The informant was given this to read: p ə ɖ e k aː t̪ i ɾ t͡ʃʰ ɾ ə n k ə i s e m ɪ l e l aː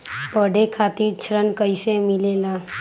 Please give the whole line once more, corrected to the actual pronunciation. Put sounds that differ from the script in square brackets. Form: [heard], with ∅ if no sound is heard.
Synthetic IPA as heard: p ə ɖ e [kʰ] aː t̪ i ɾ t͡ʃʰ ɾ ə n k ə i s e m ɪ l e l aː

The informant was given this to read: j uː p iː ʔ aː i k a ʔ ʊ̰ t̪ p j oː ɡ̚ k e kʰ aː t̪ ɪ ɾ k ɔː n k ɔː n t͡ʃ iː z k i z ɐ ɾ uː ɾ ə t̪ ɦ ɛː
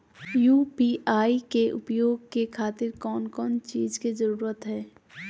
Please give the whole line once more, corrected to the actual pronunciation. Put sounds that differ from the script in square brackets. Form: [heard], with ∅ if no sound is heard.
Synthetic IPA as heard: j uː p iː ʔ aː i k [e] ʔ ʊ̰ [∅] p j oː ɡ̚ k e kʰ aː t̪ ɪ ɾ k ɔː n k ɔː n t͡ʃ iː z k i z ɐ ɾ uː ɾ ə t̪ ɦ ɛː

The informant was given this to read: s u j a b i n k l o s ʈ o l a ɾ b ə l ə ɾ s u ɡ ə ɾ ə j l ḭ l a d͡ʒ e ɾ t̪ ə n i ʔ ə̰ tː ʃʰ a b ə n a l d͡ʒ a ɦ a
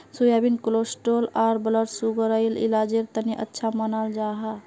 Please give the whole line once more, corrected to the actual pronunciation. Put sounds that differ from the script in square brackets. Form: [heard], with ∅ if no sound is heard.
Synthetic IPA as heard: s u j a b i n k l o s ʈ o l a ɾ b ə l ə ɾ s u ɡ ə ɾ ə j l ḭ l a d͡ʒ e ɾ t̪ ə n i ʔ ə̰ tː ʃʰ a [m] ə n a l d͡ʒ a ɦ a

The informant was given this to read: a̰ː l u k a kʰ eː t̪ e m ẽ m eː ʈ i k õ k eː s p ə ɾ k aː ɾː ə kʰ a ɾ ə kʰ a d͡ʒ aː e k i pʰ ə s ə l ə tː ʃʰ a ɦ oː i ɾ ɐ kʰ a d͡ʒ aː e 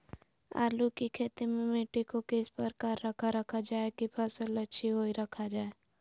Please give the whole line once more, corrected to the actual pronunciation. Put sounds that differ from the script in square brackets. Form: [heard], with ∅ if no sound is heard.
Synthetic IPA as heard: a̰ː l u k [i] kʰ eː t̪ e m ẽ m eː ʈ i k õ k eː s p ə ɾ k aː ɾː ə kʰ a ɾ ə kʰ a d͡ʒ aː e k i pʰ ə s ə l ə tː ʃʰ [i] ɦ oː i ɾ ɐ kʰ a d͡ʒ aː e

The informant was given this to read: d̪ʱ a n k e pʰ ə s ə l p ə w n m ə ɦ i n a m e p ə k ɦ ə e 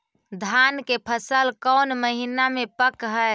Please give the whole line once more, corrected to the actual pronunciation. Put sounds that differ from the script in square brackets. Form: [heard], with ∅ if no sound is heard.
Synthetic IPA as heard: d̪ʱ a n k e pʰ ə s ə l [k] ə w n m ə ɦ i n a m e p ə k ɦ ə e

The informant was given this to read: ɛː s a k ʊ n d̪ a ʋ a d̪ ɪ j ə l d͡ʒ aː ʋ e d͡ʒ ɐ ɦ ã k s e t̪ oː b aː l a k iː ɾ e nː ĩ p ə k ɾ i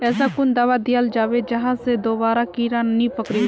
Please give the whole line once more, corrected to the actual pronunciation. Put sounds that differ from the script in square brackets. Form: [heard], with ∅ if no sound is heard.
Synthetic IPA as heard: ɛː s a k ʊ n d̪ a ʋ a d̪ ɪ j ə l d͡ʒ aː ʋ e d͡ʒ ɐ ɦ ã [∅] s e [d̪] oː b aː [ɾ] a k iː ɾ [a] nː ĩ p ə k ɾ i

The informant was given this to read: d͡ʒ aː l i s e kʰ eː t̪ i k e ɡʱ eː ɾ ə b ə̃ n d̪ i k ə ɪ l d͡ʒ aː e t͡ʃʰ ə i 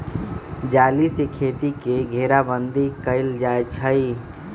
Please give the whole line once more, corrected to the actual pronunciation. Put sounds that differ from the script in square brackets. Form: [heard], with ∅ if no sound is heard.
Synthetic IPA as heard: d͡ʒ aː l i s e kʰ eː t̪ i k e ɡʱ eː ɾ [a] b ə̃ n d̪ i k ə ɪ l d͡ʒ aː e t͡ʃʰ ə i

